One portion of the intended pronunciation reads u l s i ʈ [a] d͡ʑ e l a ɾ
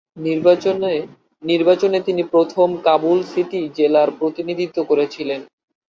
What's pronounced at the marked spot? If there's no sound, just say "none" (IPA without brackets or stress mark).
i